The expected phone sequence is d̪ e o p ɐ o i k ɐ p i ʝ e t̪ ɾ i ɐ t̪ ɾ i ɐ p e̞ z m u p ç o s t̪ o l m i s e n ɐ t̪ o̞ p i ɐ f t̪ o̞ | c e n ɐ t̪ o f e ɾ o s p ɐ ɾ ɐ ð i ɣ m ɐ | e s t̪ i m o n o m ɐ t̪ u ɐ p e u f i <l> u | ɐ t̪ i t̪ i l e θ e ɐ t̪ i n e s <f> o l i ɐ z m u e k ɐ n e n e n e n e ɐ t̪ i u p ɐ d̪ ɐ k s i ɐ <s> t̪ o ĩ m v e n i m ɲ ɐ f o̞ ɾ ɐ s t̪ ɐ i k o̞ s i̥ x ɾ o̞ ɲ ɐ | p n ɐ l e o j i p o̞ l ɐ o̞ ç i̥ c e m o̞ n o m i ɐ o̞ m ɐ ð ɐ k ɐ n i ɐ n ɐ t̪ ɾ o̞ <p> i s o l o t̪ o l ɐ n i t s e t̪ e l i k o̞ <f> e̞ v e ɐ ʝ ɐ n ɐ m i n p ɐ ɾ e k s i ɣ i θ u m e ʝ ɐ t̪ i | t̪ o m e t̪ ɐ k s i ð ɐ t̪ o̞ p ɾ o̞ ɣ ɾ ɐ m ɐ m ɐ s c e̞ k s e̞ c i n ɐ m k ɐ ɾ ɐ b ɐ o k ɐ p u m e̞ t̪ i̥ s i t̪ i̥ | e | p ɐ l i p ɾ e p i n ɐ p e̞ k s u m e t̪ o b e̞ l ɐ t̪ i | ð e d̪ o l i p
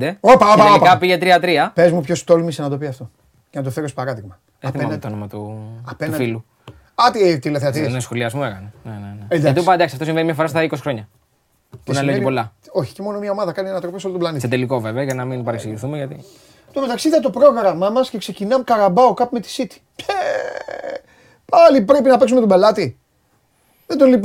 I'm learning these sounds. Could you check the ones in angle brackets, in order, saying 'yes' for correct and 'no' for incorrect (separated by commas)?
yes, no, no, yes, no